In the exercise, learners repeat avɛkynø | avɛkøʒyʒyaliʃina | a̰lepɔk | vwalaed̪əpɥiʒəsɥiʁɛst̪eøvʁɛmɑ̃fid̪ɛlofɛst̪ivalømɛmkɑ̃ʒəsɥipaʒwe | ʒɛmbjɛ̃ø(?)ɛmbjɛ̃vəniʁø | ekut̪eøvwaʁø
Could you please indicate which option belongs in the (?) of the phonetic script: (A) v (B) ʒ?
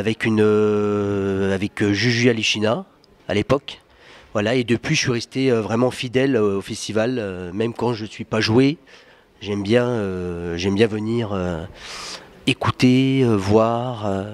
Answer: B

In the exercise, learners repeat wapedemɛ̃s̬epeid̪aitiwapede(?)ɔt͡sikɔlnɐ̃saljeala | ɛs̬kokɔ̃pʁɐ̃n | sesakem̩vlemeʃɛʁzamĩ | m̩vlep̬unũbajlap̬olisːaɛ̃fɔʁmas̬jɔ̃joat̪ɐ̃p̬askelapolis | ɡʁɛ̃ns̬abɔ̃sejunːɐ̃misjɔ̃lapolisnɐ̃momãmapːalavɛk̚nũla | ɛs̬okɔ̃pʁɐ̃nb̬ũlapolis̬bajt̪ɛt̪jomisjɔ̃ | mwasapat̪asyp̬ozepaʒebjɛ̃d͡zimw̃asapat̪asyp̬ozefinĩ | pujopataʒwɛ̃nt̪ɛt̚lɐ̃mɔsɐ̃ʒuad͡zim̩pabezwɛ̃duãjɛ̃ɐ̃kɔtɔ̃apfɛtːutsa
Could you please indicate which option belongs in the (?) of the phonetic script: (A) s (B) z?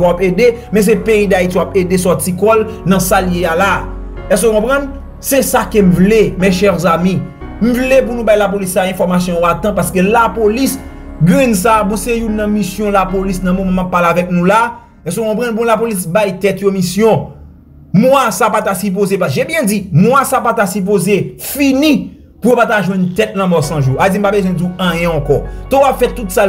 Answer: A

